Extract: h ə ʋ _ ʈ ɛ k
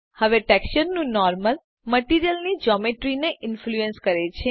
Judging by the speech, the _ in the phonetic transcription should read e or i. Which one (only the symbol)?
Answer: e